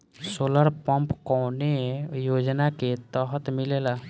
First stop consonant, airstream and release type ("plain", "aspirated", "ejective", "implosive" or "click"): plain